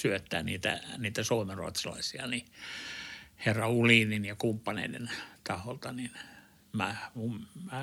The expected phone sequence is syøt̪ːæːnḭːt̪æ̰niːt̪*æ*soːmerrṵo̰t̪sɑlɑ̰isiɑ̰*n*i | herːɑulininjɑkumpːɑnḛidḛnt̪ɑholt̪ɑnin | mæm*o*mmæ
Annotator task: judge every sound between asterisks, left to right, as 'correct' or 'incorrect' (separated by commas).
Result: correct, correct, incorrect